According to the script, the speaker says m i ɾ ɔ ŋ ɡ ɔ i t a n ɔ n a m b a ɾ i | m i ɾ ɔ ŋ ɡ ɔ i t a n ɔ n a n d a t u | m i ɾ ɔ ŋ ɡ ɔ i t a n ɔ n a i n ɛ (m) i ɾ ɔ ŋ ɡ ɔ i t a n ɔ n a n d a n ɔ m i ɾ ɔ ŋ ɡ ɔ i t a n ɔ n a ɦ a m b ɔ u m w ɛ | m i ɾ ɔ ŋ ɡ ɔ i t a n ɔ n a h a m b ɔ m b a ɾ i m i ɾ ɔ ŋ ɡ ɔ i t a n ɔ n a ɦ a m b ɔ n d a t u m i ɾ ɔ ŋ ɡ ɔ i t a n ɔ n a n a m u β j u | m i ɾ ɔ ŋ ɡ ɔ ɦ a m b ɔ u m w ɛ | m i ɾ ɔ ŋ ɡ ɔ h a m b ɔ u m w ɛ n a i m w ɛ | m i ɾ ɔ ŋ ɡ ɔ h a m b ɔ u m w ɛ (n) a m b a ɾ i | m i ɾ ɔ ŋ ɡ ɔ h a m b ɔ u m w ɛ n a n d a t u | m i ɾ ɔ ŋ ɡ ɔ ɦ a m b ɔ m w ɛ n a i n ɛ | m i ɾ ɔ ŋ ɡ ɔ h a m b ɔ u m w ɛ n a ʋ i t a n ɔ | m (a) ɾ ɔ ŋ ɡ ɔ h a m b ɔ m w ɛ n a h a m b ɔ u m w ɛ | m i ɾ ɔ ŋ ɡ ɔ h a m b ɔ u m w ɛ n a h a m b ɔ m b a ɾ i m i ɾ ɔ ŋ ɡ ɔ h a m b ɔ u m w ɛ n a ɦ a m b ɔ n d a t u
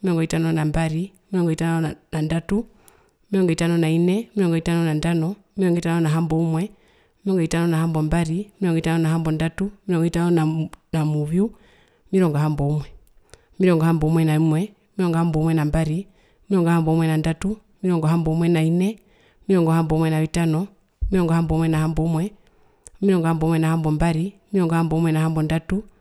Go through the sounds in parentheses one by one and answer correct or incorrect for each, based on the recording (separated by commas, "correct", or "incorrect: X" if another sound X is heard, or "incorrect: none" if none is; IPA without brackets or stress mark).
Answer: correct, correct, incorrect: i